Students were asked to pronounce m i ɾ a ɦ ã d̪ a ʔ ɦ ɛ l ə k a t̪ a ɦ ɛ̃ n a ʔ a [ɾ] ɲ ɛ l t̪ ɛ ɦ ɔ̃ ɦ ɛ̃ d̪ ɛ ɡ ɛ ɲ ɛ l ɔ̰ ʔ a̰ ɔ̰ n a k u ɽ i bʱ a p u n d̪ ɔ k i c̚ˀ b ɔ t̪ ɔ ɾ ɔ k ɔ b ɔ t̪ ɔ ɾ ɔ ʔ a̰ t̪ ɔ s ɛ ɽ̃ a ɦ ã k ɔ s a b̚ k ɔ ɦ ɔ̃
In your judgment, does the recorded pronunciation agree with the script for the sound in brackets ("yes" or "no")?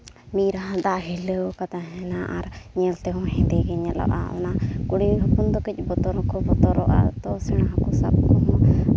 yes